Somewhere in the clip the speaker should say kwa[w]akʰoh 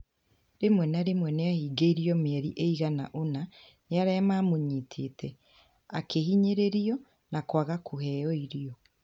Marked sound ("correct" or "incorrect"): incorrect